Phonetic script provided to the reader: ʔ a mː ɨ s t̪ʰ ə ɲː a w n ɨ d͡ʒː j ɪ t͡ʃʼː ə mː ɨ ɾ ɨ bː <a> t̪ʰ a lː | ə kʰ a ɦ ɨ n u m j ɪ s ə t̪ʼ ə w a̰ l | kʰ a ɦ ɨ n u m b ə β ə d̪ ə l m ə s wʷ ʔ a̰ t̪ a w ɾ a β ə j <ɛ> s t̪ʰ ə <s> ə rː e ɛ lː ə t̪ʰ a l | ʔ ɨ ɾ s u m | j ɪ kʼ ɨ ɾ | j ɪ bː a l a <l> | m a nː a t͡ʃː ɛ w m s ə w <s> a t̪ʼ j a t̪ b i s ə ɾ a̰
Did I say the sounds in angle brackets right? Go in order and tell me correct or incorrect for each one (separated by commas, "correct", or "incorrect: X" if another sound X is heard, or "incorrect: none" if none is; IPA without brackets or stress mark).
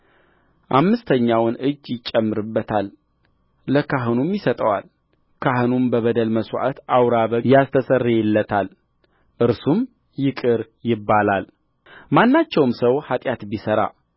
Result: incorrect: ə, incorrect: a, correct, correct, incorrect: h